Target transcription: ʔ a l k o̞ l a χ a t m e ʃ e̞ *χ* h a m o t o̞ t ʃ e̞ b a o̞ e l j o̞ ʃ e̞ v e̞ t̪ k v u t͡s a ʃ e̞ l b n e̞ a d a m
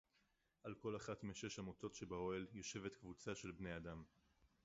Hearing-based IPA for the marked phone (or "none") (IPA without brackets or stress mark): ʃ